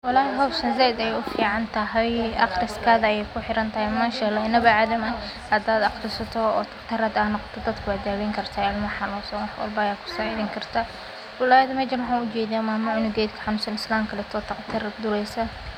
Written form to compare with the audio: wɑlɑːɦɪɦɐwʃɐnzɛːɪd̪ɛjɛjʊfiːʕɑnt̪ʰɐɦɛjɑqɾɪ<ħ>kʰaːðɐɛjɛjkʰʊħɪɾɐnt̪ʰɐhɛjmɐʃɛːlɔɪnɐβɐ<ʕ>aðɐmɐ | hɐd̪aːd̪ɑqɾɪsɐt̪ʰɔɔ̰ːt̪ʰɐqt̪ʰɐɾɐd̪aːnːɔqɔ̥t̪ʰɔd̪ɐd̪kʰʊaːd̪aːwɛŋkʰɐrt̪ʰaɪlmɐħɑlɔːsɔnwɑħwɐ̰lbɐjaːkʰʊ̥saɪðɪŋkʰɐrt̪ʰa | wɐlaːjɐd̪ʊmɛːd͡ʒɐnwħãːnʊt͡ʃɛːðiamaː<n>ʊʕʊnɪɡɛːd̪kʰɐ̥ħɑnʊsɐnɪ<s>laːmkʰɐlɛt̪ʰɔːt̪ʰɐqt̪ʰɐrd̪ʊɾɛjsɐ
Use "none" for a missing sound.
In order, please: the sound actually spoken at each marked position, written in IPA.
s, ʕ, m, s

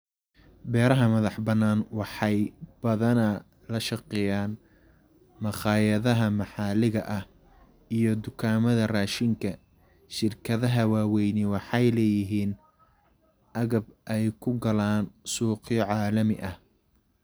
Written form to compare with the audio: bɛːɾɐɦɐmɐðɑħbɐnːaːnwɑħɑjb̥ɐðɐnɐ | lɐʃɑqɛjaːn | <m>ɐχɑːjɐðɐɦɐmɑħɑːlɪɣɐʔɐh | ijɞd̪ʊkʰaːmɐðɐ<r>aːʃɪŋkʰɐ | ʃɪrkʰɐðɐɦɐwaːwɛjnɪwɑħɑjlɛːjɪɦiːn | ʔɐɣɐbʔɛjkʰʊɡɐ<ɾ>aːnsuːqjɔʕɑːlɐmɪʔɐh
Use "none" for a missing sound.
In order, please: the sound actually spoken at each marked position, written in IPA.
m, r, l

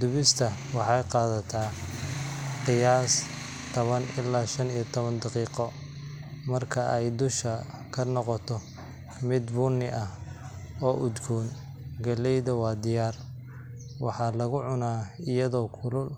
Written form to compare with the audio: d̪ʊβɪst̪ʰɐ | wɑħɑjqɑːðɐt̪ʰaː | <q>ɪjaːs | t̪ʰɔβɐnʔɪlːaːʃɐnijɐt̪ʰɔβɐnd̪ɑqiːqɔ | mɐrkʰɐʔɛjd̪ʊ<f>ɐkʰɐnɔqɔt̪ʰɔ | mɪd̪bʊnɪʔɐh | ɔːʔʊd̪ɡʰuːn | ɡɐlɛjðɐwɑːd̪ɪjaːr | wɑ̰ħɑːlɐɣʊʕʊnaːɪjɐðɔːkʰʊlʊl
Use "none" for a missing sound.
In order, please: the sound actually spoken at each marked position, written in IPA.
q, ʃ

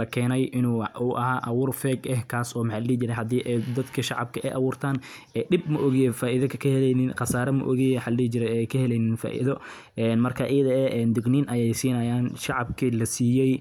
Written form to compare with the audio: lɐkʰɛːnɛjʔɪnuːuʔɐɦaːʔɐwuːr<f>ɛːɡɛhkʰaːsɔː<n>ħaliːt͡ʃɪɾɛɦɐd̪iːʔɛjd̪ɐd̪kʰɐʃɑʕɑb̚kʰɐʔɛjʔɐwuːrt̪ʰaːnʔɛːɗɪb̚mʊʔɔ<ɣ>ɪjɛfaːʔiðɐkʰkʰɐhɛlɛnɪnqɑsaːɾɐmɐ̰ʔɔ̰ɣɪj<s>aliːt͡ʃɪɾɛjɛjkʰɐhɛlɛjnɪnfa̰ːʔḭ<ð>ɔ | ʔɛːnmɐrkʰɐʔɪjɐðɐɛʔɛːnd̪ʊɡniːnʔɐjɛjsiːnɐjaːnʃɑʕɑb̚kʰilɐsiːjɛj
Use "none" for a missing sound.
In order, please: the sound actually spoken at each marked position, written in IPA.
f, m, ɣ, ħ, ð

